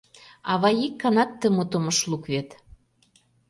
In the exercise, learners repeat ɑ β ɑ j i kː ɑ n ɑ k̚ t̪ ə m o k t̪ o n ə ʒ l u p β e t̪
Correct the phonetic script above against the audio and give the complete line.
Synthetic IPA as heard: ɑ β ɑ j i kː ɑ n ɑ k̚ t̪ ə m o t̪ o m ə ʃ l u k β e t̪

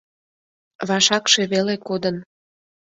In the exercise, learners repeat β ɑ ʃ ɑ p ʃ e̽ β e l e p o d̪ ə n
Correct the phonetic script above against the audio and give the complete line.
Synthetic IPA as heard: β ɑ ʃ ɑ k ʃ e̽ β e l e k o d̪ ə n

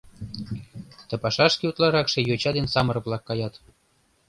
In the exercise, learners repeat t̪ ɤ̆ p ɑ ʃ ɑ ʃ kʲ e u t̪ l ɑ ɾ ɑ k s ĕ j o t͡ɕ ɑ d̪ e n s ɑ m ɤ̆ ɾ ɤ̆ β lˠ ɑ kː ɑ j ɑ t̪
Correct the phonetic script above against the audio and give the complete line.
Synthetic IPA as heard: t̪ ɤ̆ p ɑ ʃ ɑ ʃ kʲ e u t̪ l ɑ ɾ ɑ k ʃ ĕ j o t͡ɕ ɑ d̪ e n s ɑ m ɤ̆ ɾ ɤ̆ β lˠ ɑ kː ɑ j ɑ t̪

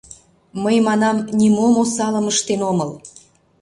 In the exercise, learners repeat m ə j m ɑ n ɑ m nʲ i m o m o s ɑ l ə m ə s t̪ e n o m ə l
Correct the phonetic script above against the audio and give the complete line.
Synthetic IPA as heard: m ə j m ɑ n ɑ m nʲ i m o m o s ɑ l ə m ə ʃ t̪ e n o m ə l

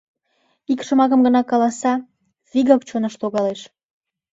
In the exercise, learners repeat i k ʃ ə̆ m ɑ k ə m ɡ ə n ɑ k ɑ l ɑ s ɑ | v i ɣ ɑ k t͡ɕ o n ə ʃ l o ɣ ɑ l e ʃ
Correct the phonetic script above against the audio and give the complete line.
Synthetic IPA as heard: i k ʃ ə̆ m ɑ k ə m ɡ ə n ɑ k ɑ l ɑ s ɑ | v i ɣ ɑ k t͡ɕ o n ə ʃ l o ɣ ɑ l e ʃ

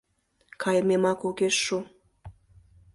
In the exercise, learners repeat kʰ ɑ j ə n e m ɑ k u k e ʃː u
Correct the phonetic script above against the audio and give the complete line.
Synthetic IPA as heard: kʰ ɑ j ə m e m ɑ k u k e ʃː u

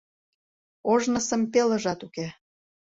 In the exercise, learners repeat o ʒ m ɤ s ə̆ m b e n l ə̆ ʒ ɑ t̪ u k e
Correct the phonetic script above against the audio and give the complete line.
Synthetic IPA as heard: o ʒ n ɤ s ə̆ m p e l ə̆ ʒ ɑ t̪ u k e

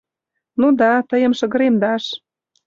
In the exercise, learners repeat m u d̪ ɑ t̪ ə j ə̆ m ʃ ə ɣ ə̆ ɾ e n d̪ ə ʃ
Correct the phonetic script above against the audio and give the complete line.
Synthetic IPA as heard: n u d̪ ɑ t̪ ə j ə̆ m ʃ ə ɣ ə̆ ɾ e m d̪ ɑ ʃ

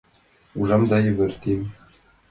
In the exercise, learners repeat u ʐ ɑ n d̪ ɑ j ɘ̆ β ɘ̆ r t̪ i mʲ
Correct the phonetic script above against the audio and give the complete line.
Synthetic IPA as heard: u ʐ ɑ m d̪ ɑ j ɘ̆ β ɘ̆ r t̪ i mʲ

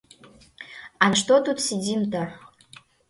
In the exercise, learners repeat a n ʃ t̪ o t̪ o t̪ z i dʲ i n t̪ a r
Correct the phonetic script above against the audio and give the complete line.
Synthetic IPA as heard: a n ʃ t̪ o t̪ u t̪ s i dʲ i m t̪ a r

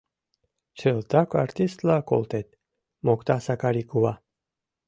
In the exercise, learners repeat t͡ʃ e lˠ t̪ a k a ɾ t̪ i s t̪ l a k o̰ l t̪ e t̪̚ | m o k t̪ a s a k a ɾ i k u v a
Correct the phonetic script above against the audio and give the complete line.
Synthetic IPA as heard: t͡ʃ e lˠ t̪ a k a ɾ t̪ i s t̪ l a k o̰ l t̪ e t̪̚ | m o k t̪ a s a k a ɾ i k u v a

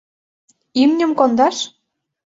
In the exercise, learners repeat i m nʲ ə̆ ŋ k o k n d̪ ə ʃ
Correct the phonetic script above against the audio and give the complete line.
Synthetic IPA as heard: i m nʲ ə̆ m k o n d̪ ɑ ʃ

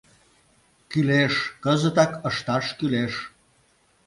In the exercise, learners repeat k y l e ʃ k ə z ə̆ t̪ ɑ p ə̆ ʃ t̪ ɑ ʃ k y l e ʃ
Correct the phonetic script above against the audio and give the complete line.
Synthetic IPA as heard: k y l e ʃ k ə z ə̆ t̪ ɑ k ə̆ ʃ t̪ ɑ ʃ k y l e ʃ

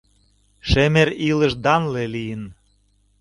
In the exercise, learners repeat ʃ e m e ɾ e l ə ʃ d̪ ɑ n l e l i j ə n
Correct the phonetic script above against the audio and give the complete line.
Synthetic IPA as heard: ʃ e m e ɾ i l ə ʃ d̪ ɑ n l e l i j ə n

